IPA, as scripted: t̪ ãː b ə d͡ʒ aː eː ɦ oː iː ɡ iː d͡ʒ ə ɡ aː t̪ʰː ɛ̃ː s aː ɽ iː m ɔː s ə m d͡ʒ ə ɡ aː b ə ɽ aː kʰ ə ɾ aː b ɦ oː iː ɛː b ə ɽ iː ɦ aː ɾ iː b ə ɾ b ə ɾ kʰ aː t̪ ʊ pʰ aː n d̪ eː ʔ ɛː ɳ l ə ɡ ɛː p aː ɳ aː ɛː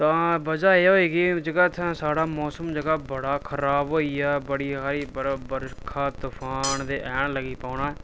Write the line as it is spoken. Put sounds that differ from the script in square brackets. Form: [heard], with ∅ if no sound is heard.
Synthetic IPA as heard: t̪ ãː b ə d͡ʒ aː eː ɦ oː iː ɡ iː d͡ʒ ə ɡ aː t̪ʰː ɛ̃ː s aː ɽ [aː] m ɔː s ə m d͡ʒ ə ɡ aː b ə ɽ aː kʰ ə ɾ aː b ɦ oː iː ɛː b ə ɽ iː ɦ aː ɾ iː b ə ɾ b ə ɾ kʰ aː t̪ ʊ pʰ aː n d̪ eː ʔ ɛː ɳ l ə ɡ [iː] p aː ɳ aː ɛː